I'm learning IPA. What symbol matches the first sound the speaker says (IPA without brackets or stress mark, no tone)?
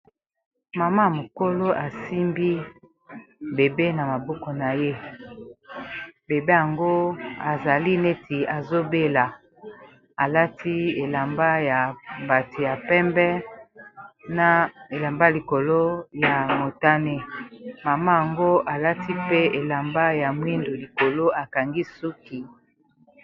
m